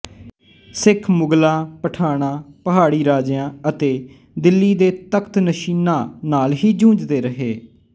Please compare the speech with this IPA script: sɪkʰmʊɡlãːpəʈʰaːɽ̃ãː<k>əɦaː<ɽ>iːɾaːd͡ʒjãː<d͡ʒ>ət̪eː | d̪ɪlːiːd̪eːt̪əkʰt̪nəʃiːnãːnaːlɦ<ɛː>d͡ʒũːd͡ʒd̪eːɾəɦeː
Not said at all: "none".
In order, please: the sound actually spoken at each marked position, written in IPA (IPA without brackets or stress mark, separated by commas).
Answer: p, ɽ, none, iː